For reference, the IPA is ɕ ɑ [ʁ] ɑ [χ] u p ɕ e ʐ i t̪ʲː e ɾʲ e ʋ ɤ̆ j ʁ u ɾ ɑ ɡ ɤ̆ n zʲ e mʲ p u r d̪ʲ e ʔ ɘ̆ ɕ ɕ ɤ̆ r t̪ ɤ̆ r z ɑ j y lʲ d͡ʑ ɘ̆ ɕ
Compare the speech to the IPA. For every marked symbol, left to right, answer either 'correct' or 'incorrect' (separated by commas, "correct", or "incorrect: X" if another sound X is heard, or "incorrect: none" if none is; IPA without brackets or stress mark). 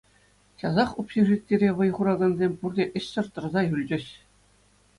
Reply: incorrect: z, correct